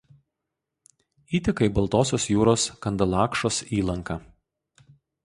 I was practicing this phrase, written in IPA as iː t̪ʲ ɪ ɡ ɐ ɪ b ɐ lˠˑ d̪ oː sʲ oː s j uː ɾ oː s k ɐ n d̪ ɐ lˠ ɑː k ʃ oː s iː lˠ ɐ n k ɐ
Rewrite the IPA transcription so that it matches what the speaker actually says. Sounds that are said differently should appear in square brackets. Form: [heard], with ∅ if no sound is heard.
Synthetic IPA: iː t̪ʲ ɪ [k] ɐ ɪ b ɐ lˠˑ [t̪] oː sʲ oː s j uː ɾ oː s k ɐ n d̪ ɐ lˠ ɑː k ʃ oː s iː lˠ ɐ [ŋ] k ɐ